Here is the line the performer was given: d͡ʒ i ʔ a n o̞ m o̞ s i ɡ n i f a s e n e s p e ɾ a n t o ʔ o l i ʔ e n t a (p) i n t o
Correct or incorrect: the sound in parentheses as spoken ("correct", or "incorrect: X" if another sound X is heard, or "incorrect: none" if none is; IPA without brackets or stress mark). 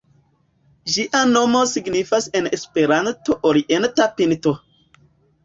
correct